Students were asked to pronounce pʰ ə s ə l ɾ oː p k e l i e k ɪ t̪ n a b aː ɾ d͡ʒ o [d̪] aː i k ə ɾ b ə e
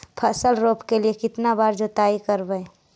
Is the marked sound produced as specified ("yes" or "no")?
no